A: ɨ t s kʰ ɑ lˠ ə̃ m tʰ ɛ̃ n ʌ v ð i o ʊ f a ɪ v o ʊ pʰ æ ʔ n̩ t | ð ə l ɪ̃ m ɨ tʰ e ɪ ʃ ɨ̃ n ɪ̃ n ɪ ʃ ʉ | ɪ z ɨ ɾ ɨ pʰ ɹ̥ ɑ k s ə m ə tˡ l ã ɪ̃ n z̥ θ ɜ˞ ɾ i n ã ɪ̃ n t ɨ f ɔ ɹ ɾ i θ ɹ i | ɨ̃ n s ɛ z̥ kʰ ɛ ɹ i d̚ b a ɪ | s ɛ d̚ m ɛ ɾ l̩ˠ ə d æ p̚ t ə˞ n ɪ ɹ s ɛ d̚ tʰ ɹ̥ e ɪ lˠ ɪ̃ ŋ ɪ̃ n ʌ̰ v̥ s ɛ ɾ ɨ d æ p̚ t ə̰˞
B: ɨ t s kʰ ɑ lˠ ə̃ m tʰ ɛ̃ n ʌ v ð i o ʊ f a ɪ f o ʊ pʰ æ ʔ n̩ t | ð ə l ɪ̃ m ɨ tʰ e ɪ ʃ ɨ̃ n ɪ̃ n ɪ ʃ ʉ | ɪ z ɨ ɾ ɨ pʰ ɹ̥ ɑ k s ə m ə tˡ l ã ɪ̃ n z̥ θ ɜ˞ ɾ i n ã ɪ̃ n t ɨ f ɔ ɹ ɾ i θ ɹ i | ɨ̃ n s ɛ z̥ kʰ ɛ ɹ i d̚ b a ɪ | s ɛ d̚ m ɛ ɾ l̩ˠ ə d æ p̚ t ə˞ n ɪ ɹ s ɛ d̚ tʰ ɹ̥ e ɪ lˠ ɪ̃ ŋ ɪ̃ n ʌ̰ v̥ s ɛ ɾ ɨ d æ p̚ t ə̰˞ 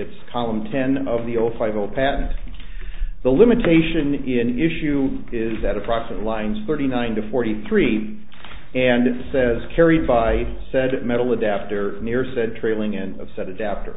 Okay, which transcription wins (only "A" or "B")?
A